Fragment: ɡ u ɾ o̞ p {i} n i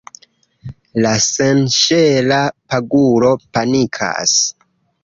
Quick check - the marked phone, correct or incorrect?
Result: incorrect